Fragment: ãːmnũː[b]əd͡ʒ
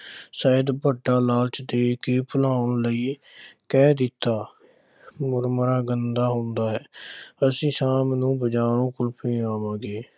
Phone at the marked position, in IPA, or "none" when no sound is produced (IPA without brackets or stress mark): b